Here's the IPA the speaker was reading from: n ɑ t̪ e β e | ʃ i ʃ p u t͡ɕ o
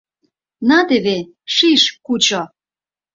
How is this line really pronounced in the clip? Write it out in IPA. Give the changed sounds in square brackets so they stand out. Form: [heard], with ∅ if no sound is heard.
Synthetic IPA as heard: n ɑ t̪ e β e | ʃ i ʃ [k] u t͡ɕ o